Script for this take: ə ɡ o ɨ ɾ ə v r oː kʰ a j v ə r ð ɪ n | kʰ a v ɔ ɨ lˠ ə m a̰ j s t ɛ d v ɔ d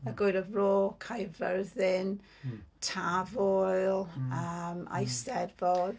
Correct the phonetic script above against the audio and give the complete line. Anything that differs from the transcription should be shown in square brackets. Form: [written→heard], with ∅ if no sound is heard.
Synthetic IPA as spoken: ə ɡ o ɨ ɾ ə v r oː kʰ a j v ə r ð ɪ n | [kʰ→tʰ] a v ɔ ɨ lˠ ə m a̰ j s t ɛ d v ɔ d